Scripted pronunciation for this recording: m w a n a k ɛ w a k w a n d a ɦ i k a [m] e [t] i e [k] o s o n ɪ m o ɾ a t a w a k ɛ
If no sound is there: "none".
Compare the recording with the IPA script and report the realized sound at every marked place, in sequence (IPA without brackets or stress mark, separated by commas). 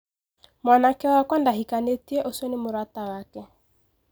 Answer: n, t, ʔ